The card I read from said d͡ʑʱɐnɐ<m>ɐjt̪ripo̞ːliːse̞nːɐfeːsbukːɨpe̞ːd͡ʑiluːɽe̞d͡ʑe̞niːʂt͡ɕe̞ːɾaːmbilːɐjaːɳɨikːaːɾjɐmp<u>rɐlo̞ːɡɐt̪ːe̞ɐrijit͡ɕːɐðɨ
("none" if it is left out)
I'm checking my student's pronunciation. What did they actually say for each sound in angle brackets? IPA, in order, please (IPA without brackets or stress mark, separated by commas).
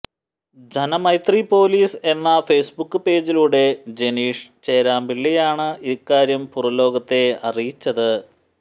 m, u